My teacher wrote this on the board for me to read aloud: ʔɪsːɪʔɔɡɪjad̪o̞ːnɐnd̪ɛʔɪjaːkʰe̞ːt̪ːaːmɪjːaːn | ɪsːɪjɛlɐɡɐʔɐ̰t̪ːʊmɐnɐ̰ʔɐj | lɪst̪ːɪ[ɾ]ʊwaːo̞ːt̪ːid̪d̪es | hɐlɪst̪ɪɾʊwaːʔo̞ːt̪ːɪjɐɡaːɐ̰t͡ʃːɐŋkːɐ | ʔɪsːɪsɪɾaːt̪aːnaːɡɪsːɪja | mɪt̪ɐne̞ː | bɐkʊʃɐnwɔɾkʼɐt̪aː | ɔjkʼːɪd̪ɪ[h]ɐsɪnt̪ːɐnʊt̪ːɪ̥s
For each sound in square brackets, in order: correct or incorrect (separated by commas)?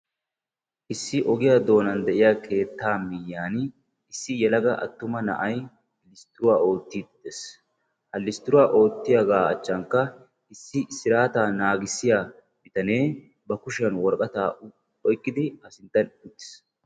correct, correct